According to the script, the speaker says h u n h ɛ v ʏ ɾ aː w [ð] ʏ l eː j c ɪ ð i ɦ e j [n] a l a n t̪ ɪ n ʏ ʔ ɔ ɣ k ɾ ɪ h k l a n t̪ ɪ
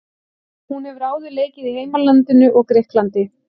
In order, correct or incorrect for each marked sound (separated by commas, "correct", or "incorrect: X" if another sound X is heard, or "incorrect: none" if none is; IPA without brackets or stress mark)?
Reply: correct, incorrect: m